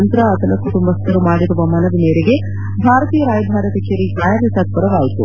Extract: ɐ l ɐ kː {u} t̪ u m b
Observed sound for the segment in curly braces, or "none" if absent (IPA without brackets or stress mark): u